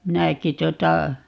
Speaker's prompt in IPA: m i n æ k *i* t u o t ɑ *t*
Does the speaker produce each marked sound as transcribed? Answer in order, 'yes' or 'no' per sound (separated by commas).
yes, no